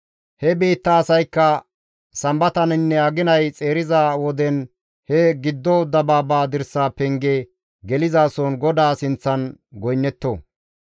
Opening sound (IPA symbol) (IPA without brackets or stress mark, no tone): h